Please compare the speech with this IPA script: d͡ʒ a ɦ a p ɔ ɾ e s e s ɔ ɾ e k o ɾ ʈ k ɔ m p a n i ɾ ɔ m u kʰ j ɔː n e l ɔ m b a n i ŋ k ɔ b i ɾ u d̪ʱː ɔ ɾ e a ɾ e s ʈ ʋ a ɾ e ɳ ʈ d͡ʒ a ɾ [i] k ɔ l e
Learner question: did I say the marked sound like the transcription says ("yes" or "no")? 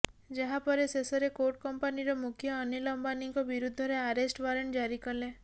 yes